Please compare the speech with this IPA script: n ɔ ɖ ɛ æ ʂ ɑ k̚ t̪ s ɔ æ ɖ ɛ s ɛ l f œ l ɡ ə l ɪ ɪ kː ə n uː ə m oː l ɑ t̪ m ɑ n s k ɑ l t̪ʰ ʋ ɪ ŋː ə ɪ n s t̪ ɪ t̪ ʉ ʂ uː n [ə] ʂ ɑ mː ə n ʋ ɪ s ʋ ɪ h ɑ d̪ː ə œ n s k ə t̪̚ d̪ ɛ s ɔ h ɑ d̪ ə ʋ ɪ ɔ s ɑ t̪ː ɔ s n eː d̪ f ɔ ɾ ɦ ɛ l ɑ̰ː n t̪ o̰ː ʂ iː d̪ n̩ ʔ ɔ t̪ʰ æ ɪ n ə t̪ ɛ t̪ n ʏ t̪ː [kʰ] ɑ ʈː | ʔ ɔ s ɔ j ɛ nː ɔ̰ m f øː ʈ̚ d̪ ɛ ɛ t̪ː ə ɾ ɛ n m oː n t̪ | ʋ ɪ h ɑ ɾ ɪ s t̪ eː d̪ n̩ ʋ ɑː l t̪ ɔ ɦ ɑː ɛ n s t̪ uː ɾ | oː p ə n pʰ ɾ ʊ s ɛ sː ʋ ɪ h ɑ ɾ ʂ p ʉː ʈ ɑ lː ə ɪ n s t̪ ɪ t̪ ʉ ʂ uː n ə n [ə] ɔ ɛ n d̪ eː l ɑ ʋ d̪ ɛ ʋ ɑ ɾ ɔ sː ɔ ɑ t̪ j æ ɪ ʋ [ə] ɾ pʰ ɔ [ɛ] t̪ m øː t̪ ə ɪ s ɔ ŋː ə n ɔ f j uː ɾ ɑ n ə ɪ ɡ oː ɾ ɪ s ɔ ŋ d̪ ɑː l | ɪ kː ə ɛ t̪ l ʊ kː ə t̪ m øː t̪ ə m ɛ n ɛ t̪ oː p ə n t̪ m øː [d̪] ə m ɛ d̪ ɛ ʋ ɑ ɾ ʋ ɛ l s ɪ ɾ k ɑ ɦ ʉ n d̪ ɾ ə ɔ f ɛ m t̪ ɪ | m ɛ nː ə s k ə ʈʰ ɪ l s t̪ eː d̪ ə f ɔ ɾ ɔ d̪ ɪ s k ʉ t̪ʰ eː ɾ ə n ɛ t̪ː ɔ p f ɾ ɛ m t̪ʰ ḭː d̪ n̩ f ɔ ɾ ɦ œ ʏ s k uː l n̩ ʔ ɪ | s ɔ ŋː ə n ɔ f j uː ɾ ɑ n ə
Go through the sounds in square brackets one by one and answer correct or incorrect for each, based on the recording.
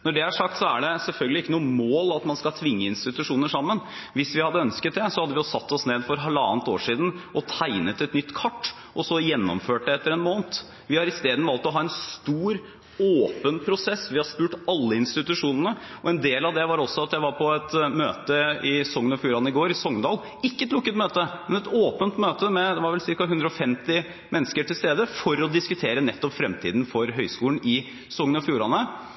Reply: correct, correct, correct, incorrect: ɑ, correct, incorrect: t̪

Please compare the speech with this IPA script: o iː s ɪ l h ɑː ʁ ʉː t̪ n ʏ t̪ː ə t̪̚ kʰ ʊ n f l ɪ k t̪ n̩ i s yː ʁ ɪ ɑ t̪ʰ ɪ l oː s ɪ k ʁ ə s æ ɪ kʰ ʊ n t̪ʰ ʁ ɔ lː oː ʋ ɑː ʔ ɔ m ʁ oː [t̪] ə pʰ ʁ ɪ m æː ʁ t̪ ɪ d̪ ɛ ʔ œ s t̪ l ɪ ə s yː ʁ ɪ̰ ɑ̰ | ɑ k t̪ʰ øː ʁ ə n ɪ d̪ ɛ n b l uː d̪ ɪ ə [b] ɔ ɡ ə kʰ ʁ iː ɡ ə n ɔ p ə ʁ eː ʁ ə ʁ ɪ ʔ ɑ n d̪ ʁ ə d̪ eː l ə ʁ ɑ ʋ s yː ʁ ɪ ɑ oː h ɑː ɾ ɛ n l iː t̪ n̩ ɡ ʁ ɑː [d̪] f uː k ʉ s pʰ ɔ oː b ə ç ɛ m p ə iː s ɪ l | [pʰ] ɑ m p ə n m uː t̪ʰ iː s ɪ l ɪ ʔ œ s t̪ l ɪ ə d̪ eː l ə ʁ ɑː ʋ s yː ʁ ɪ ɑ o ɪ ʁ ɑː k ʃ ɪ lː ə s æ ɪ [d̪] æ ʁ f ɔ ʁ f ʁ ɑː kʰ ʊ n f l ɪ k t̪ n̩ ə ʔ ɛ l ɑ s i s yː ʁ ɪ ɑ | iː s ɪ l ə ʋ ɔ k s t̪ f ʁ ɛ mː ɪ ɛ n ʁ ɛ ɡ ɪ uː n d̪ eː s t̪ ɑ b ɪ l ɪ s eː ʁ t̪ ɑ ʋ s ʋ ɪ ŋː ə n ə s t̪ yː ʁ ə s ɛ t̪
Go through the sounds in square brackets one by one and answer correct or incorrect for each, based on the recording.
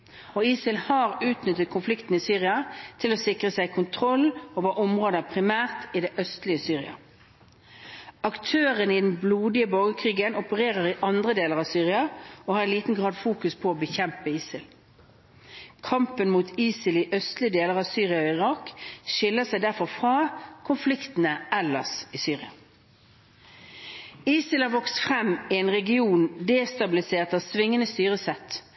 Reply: incorrect: d̪, correct, correct, incorrect: kʰ, correct

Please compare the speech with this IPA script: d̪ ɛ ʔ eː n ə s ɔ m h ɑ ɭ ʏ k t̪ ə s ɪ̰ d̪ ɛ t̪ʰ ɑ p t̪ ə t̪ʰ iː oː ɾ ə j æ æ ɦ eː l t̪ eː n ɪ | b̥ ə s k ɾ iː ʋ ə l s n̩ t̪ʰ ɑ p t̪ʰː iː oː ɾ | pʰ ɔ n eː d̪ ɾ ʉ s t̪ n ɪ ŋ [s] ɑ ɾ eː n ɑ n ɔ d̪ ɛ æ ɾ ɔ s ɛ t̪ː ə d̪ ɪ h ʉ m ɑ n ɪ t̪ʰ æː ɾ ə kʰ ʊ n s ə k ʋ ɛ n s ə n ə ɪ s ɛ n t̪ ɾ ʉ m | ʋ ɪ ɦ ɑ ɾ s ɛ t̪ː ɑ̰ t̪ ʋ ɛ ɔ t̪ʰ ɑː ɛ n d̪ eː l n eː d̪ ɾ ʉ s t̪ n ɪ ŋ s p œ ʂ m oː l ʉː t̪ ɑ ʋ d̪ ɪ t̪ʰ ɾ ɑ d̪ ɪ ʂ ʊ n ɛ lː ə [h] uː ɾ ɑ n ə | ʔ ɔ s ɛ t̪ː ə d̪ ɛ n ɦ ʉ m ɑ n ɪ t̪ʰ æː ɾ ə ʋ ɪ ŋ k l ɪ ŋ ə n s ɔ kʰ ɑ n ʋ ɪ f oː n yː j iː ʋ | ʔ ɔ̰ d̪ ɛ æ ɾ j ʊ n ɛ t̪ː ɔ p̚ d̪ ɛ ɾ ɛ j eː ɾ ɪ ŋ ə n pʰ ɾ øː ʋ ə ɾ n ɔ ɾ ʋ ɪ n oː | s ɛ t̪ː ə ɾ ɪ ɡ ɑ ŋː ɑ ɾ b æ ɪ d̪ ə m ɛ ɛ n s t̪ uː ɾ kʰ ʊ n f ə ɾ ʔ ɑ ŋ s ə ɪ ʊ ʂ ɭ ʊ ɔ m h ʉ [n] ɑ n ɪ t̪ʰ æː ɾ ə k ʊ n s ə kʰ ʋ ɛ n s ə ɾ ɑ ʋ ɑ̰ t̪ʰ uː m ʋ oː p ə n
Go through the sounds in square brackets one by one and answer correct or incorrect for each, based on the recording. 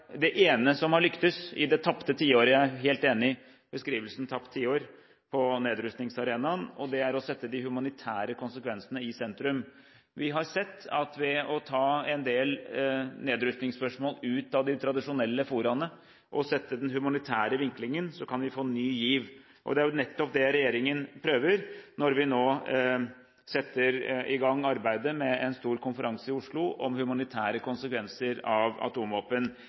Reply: correct, incorrect: f, incorrect: m

